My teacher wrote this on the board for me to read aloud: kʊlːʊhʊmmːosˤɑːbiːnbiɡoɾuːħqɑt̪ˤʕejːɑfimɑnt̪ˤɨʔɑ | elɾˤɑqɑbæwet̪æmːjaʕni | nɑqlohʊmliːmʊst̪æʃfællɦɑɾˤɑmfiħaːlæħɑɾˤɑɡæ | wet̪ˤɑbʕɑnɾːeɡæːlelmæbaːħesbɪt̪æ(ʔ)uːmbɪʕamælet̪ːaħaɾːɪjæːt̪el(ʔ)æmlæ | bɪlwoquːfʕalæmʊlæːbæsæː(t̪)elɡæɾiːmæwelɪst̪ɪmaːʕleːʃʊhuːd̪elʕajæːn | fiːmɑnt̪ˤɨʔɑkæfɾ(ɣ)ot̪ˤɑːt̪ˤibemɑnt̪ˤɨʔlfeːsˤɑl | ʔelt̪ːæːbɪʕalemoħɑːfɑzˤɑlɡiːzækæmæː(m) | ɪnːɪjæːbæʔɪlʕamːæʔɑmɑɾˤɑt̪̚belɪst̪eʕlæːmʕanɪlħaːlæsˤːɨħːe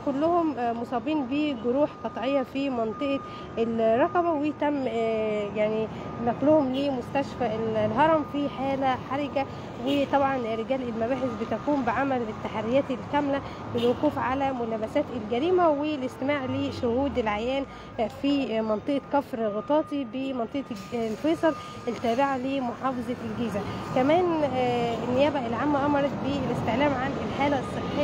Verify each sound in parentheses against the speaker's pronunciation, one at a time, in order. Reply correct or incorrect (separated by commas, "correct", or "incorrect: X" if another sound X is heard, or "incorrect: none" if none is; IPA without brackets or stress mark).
incorrect: k, incorrect: k, correct, correct, incorrect: n